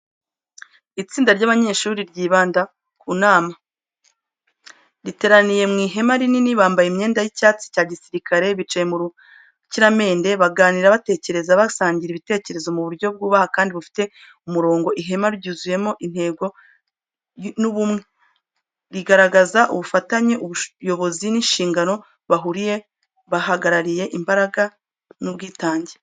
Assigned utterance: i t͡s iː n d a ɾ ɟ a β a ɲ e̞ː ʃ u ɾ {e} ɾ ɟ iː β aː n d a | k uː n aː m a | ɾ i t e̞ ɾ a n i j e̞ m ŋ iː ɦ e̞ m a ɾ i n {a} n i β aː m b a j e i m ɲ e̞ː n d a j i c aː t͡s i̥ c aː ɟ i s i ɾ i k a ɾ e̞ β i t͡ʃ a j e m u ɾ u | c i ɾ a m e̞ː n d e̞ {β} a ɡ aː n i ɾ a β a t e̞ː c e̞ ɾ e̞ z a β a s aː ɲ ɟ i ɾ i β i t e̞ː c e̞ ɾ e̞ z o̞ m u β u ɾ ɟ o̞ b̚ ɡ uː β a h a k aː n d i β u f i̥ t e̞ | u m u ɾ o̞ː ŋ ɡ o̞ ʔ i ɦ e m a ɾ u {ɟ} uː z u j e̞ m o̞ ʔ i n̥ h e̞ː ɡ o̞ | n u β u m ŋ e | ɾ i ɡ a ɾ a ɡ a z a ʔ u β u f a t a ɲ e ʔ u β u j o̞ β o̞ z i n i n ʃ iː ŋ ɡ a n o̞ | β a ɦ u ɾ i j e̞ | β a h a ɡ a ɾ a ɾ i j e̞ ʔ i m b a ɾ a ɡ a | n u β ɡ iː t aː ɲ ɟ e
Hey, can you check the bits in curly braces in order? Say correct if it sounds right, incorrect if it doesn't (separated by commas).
incorrect, incorrect, correct, correct